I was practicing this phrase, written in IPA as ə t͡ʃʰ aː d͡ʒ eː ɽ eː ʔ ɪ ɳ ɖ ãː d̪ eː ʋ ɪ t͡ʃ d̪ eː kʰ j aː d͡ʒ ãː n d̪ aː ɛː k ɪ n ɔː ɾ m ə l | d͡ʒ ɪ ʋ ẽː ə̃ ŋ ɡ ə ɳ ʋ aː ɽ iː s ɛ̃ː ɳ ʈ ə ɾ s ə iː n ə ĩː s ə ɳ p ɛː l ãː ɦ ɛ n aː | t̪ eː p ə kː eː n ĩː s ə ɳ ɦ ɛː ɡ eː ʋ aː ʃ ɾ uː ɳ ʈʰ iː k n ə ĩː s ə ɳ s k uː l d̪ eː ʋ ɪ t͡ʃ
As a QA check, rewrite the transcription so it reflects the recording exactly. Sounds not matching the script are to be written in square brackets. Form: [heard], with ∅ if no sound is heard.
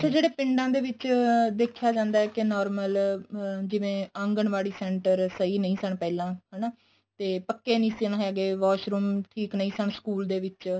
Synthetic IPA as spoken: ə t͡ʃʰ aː d͡ʒ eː ɽ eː [p] ɪ ɳ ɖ ãː d̪ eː ʋ ɪ t͡ʃ d̪ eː kʰ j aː d͡ʒ ãː n d̪ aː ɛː k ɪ n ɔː ɾ m ə l | d͡ʒ ɪ ʋ ẽː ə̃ ŋ ɡ ə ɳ ʋ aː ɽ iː s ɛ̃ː ɳ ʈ ə ɾ s ə iː n ə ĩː s ə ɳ p ɛː l ãː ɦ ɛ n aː | t̪ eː p ə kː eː n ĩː s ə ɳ ɦ ɛː ɡ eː ʋ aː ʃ ɾ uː [m] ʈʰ iː k n ə ĩː s ə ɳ s k uː l d̪ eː ʋ ɪ t͡ʃ